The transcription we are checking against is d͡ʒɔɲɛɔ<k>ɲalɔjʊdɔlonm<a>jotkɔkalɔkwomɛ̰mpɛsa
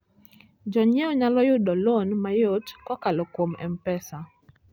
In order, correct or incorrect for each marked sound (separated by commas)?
incorrect, correct